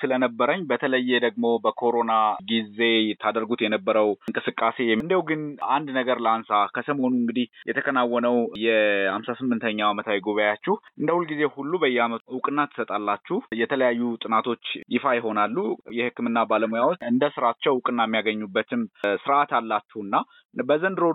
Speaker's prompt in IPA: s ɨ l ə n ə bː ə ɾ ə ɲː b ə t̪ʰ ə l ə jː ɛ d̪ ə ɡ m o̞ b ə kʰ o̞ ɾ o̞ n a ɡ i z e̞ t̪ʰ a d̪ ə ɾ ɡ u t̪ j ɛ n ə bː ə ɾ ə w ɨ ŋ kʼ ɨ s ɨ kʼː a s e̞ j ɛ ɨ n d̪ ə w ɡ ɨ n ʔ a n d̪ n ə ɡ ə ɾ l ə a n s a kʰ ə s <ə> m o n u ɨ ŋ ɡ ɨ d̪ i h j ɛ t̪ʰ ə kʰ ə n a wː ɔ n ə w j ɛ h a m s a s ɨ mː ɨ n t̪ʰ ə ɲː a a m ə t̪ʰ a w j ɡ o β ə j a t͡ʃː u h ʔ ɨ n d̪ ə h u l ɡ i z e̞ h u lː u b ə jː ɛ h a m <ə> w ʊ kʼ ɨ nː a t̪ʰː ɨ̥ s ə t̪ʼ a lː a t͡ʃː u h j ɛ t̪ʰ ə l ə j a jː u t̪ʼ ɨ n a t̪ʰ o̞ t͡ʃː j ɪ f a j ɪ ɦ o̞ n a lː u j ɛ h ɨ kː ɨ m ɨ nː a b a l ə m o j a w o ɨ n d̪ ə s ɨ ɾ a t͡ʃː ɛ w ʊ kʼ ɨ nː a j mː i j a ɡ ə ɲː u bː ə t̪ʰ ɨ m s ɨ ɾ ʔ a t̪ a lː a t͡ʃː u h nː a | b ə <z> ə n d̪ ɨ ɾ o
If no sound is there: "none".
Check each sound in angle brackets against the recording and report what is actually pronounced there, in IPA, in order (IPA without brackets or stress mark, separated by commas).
ə, ə, z